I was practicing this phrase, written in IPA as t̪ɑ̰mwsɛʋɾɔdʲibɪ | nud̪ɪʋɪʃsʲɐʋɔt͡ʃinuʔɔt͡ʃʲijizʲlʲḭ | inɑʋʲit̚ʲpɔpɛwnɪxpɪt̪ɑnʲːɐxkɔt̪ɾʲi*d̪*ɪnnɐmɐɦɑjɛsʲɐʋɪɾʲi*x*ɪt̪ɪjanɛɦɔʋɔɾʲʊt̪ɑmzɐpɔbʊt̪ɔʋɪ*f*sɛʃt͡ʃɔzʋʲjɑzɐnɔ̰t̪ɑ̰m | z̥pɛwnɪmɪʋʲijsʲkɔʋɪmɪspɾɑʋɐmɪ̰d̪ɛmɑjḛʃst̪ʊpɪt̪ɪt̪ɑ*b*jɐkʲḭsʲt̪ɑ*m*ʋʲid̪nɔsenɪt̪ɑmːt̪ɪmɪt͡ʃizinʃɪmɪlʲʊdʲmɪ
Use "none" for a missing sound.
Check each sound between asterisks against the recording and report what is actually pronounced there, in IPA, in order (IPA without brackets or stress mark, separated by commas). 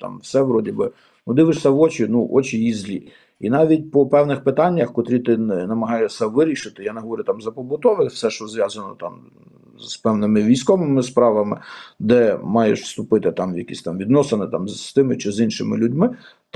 t̪, ʃ, f, m, m